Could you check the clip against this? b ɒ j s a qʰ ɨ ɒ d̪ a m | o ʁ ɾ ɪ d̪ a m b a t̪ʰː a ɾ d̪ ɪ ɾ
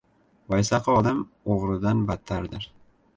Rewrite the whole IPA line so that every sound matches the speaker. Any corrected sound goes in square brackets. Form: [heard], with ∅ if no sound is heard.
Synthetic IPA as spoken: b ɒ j s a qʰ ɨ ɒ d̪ a m | o ʁ ɾ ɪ d̪ a [n] b a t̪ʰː a ɾ d̪ ɪ ɾ